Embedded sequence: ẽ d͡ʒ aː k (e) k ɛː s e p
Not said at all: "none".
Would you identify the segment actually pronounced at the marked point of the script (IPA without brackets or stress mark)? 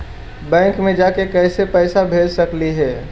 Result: e